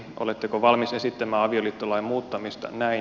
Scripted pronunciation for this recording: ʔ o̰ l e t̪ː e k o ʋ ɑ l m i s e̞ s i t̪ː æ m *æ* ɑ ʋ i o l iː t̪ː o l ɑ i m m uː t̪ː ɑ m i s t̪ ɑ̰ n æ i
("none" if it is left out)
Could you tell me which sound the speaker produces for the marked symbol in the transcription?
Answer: æː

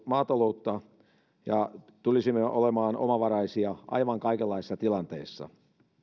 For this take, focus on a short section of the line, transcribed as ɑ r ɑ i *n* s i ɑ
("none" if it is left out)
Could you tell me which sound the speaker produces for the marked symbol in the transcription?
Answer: none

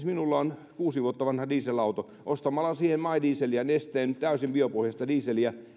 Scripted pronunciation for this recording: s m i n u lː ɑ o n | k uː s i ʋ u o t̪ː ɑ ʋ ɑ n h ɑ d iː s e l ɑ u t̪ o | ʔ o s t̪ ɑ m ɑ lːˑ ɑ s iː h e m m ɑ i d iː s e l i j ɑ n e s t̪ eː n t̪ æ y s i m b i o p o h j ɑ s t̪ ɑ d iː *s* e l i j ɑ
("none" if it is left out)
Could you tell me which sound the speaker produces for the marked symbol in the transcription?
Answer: s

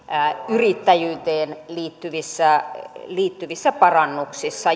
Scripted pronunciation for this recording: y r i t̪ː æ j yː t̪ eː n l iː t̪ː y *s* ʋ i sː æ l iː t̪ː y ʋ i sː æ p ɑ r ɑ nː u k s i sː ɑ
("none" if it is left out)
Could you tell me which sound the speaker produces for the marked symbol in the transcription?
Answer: none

